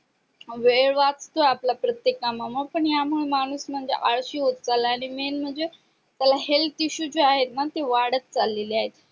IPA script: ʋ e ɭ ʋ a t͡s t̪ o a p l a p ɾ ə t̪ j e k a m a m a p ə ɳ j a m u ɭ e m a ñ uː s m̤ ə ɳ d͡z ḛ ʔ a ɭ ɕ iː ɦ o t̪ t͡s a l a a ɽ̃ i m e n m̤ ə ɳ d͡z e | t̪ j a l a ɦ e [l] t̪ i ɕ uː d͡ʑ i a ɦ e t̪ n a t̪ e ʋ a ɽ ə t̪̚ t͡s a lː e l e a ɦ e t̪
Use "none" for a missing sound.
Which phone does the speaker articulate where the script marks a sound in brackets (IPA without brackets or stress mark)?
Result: l